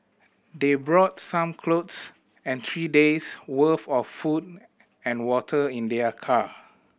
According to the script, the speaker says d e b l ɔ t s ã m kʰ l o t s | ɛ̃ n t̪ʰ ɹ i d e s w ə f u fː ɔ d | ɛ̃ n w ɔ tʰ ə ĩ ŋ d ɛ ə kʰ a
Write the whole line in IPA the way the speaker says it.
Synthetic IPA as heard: d e b ɹ ɔ t s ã m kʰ l o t s | ɛ̃ n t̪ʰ ɹ i d e s w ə f ɔ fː u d | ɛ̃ n w ɔ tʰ ə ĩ n d ɛ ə kʰ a